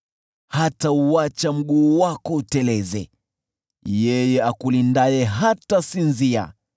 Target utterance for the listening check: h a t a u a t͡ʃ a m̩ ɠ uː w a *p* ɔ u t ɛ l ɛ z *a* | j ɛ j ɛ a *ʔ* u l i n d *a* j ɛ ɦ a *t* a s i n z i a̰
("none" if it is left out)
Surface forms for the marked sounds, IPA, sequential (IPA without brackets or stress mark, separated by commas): k, ɛ, k, a, t